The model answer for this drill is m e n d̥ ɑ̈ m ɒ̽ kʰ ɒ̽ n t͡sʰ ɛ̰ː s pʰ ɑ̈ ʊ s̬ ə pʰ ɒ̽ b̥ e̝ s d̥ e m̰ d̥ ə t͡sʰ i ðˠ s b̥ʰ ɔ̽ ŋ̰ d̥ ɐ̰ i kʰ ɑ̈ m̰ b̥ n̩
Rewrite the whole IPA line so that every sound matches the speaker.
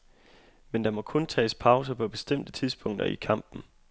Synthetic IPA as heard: m e n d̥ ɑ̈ m ɒ̽ kʰ ɔ̽ n t͡sʰ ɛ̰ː s pʰ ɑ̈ ʊ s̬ ə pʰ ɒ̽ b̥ e̝ s d̥ e m̰ d̥ ə t͡sʰ i ðˠ s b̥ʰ ɔ̽ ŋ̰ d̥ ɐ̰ i kʰ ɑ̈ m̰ b̥ n̩